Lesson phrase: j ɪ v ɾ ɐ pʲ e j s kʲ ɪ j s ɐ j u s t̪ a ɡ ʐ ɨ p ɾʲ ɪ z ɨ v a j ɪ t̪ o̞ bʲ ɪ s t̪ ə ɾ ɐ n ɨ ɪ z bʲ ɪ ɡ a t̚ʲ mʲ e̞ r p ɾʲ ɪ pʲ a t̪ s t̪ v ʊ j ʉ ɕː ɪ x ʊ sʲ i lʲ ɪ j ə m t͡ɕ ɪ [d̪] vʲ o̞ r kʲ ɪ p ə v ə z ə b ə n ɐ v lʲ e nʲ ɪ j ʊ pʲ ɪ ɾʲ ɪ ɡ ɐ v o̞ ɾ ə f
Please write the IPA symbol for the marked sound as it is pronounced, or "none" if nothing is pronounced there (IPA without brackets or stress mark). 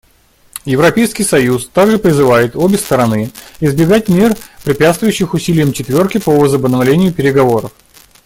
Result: t̪